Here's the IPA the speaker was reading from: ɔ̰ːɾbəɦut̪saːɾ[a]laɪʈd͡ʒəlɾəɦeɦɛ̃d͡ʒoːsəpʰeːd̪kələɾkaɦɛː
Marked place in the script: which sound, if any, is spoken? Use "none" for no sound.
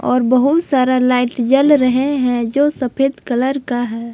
a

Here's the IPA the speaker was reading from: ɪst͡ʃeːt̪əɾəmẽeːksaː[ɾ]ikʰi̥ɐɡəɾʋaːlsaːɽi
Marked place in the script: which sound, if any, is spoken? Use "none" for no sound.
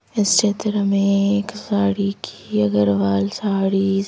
ɽ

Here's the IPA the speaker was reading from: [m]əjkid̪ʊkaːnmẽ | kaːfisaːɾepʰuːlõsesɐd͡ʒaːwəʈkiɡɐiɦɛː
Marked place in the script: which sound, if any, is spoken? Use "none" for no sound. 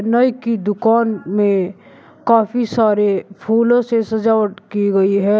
n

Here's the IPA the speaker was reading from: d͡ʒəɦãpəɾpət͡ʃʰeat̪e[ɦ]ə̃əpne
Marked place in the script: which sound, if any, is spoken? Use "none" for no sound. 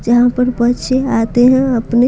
ɦ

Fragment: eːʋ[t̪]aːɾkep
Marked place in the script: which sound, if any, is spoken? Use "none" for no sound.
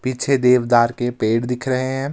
d̪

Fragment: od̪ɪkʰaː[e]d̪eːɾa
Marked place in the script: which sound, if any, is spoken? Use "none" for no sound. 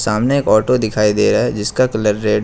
i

